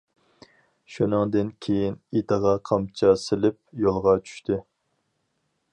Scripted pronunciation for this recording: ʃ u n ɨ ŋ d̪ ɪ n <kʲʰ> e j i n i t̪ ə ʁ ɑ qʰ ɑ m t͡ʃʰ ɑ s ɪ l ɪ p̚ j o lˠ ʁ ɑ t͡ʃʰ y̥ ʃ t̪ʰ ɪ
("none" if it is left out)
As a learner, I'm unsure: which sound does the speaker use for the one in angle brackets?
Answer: kʲʰ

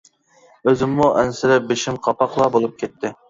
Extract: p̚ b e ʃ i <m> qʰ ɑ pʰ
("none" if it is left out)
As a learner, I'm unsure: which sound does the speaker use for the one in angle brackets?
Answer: m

